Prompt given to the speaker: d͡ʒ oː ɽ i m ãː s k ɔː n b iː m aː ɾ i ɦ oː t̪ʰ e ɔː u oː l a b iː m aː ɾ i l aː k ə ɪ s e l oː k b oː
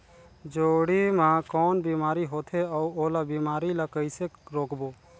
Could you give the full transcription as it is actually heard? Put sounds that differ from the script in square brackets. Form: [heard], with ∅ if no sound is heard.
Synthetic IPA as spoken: d͡ʒ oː ɽ i m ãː [∅] k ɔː n b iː m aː ɾ i ɦ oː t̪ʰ e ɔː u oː l a b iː m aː ɾ i l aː k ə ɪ s e [ɾ] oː k b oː